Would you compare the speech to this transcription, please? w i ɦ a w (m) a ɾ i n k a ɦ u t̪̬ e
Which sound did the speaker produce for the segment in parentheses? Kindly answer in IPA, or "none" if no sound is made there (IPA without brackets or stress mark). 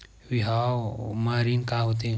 m